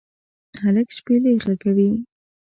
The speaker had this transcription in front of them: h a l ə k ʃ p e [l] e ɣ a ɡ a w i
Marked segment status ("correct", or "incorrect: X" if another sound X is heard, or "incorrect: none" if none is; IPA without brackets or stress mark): correct